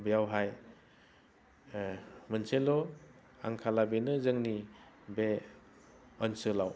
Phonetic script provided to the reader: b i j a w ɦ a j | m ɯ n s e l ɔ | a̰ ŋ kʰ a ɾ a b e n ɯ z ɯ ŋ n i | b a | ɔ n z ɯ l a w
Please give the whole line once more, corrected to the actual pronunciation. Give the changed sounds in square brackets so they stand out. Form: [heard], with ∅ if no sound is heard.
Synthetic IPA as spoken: b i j a w ɦ a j | m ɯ n s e l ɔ | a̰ ŋ kʰ a [l] a b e n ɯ z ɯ ŋ n i | b [e] | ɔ n [s] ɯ l a w